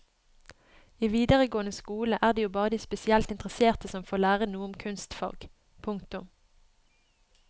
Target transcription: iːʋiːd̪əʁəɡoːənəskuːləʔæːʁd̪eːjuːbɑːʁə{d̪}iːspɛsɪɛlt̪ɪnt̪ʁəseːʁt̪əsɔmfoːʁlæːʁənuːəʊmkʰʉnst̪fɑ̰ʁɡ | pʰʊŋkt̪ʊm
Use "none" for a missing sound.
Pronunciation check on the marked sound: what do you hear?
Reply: d̪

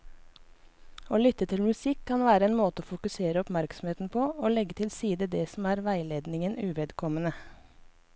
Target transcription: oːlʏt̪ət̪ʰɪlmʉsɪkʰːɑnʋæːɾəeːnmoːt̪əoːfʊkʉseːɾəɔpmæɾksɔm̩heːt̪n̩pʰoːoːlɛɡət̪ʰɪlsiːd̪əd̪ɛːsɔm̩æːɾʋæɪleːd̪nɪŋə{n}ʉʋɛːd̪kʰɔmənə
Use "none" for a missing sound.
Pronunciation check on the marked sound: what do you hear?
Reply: n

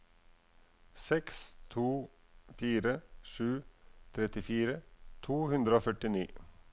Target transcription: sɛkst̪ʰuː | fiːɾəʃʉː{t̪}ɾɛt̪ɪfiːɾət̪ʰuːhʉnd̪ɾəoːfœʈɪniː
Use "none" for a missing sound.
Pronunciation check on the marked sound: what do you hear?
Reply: t̪ʰ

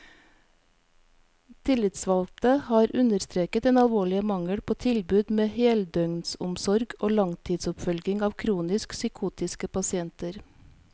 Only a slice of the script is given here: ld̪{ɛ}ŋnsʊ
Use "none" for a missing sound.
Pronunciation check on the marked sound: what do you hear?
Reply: œ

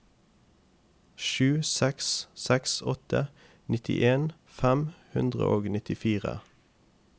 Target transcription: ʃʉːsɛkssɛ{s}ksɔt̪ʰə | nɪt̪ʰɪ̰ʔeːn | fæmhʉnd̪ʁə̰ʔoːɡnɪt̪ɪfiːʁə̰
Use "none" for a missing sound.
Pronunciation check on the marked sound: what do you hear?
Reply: none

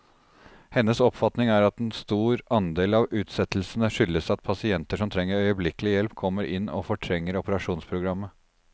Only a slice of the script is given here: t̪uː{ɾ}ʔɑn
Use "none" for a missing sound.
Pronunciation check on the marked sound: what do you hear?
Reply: ɾ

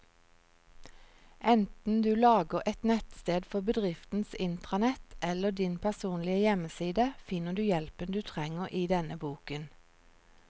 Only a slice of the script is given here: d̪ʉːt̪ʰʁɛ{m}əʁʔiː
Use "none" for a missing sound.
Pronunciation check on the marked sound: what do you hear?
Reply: ŋ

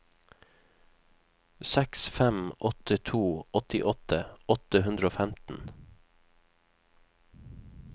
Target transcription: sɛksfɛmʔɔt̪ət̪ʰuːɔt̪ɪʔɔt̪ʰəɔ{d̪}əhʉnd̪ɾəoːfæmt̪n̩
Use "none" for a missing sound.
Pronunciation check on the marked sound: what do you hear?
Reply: t̪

